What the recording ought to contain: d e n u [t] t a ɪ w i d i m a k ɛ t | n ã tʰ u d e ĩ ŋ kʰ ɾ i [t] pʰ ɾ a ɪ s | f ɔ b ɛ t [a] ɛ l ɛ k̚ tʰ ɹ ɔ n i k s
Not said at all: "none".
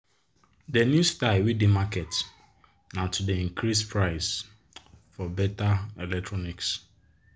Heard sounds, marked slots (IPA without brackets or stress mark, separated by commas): s, s, a